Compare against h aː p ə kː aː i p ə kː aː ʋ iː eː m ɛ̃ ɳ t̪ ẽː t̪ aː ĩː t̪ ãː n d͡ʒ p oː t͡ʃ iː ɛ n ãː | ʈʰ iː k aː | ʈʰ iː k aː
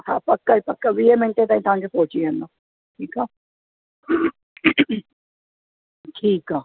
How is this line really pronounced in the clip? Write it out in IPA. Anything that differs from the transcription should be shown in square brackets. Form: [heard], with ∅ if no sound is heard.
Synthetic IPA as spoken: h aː p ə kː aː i p ə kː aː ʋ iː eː m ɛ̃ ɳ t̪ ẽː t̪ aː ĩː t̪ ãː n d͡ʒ p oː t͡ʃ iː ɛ n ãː | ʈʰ iː k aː | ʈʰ iː k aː